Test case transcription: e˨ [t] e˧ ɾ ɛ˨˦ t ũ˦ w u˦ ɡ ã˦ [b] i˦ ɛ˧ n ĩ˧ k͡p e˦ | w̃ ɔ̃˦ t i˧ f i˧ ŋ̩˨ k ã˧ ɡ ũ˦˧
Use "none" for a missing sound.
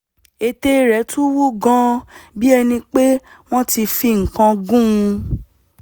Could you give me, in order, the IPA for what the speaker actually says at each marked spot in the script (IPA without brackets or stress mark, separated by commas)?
t, b